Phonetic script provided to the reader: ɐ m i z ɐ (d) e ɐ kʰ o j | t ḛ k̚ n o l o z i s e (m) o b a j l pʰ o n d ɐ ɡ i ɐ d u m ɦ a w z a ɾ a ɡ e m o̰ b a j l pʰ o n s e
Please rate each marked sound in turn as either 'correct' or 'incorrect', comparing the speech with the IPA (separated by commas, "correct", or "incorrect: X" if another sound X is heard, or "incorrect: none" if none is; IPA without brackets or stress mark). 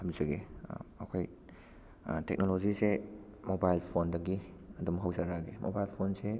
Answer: incorrect: ɡ, correct